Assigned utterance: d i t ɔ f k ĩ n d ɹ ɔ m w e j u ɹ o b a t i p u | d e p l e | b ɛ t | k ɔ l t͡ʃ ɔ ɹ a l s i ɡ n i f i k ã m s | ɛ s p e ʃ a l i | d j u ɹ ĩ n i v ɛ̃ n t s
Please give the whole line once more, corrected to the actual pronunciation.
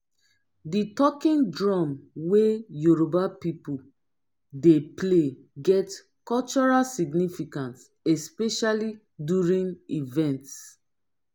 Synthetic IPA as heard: d i t ɔ k ĩ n d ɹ ɔ m w e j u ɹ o b a p i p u | d e p l e | ɡ ɛ t | k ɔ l t͡ʃ ɔ ɹ a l s i ɡ n i f i k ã n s | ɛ s p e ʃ a l i | d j u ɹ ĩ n i v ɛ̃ n t s

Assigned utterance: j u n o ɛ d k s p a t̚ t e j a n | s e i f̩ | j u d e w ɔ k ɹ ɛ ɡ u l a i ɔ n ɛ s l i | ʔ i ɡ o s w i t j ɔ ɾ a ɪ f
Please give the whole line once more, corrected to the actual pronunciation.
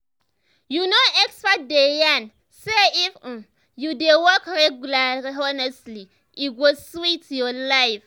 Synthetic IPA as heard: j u n o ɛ k s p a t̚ d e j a n | s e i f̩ | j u d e w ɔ k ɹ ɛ ɡ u l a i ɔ n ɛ s l i | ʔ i ɡ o s w i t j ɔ l a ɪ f

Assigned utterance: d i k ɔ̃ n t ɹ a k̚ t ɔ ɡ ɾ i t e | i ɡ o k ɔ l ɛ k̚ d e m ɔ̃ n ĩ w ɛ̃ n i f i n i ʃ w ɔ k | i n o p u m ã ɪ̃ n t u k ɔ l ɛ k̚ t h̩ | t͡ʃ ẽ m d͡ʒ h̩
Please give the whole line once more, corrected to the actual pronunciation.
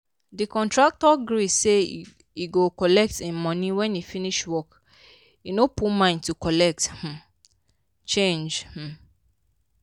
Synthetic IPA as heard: d i k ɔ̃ n t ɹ a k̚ t ɔ ɡ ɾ i s e | i ɡ o k ɔ l ɛ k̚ t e m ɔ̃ n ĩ w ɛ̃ n i f i n i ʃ w ɔ k | i n o p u m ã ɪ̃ n t u k ɔ l ɛ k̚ t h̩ | t͡ʃ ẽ n d͡ʒ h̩

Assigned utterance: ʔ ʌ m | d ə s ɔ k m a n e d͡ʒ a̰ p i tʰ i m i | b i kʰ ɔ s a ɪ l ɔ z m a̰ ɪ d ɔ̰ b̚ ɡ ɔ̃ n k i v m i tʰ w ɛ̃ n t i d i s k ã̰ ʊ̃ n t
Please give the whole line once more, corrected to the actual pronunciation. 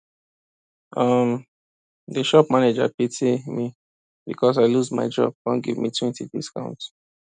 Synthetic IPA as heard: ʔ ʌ m | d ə ʃ ɔ p m a n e d͡ʒ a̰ p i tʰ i m i | b i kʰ ɔ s a ɪ l u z m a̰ ɪ d͡ʒ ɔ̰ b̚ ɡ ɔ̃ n ɡ i v m i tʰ w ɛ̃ n t i d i s k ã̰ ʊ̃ n t

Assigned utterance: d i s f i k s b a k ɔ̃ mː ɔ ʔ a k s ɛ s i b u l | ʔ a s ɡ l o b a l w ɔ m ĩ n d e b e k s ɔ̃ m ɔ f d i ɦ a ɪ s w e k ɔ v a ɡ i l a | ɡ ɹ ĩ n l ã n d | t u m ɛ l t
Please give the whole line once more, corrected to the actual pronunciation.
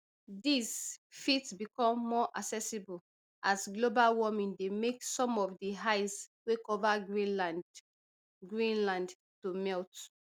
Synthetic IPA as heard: d i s f i t s b i k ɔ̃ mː ɔ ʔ a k s ɛ s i b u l | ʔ a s ɡ l o b a l w ɔ m ĩ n d e m e k s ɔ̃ m ɔ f d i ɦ a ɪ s w e k ɔ v a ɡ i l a | ɡ ɹ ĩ n l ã n d | t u m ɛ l t

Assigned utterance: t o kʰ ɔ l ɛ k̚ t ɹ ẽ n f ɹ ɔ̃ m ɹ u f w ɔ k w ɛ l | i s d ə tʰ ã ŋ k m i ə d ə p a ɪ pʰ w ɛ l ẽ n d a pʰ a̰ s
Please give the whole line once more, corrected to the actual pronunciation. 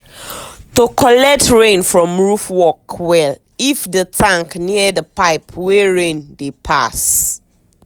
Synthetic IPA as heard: t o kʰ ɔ l ɛ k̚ t ɹ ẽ n f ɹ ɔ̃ m ɹ u f w ɔ k w ɛ l | i f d ə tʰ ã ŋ k n i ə d ə p a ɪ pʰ w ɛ ɹ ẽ n d e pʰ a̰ s

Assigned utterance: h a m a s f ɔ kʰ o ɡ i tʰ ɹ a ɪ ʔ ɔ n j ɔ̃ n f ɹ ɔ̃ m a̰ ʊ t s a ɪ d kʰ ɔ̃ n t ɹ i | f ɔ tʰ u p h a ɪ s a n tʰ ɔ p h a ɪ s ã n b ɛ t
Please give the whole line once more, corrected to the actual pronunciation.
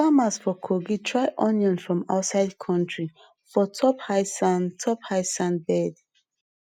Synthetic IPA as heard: f a m a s f ɔ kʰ o ɡ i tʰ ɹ a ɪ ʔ ɔ n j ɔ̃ n f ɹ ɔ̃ m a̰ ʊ t s a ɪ d kʰ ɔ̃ n t ɹ i | f ɔ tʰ ɔ p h a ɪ s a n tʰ ɔ p h a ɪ s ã n b ɛ d

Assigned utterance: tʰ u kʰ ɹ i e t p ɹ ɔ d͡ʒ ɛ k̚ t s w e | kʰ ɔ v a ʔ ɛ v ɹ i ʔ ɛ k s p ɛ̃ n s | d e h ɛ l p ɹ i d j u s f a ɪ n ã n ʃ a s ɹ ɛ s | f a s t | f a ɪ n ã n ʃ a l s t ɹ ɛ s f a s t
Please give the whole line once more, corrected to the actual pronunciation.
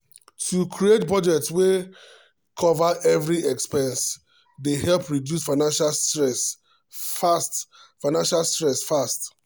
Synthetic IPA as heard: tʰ u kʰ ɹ i e t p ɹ ɔ d͡ʒ ɛ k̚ t s w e | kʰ ɔ v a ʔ ɛ v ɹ i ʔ ɛ k s p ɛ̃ n s | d e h ɛ l p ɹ i d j u s f a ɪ n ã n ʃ a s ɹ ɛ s | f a s t | f a ɪ n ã n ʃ a l s t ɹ ɛ s f a s t

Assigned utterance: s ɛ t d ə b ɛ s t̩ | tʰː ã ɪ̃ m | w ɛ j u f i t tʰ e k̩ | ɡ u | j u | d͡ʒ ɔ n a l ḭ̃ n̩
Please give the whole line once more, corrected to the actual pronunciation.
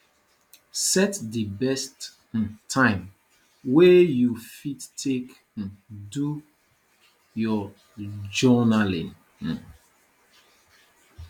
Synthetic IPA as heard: s ɛ t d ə b ɛ s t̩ | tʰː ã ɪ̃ m | w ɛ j u f i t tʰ e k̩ | d u | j ɔ | d͡ʒ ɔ n a l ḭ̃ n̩

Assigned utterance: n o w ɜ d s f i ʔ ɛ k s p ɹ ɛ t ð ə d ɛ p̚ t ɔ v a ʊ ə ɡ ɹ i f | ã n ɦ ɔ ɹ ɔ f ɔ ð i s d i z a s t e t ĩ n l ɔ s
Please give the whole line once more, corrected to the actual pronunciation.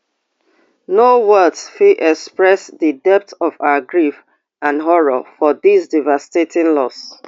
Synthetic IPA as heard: n o w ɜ d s f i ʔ ɛ k s p ɹ ɛ s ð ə d ɛ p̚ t ɔ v a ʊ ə ɡ ɹ i f | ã n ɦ ɔ ɹ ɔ f ɔ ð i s d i v a s t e t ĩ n l ɔ s

